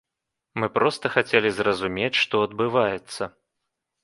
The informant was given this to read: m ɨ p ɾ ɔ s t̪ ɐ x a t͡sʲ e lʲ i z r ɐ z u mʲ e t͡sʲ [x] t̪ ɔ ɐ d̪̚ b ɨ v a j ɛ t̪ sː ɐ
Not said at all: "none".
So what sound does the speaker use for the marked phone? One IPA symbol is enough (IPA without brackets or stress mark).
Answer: ʂ